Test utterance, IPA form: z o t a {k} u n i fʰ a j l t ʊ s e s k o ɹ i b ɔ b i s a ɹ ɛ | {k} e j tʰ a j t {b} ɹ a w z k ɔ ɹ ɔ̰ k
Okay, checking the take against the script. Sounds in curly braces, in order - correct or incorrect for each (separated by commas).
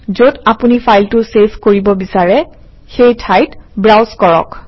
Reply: incorrect, incorrect, correct